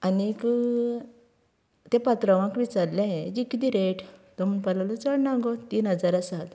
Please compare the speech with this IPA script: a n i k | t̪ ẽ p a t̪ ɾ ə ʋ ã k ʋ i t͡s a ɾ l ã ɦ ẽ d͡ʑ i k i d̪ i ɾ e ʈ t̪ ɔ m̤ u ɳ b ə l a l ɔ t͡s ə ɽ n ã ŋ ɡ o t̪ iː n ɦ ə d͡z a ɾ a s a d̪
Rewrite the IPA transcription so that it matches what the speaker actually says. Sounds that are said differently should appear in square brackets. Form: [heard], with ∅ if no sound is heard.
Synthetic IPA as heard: a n i k | t̪ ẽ p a t̪ ɾ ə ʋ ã k ʋ i t͡s a ɾ l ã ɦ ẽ d͡ʑ i k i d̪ i ɾ e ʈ t̪ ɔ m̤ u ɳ [p] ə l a l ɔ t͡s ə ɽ n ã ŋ ɡ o t̪ iː n ɦ ə d͡z a ɾ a s a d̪